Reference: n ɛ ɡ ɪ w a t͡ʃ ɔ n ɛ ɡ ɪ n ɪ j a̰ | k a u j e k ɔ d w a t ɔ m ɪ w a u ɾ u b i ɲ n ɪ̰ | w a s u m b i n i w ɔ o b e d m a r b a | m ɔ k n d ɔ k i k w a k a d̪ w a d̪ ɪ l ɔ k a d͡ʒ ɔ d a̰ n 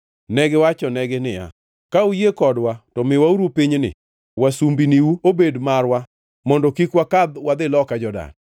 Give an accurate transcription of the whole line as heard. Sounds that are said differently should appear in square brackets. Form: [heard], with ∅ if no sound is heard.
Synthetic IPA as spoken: n ɛ ɡ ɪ w a t͡ʃ ɔ n ɛ ɡ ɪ n ɪ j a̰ | k a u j e k ɔ d w a t ɔ m ɪ w a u ɾ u [p] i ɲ n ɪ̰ | w a s u m b i n i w [u] o b e d m a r [w] a | m ɔ [∅] n d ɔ k i k w a k a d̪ w a d̪ ɪ l ɔ k a d͡ʒ ɔ d a̰ n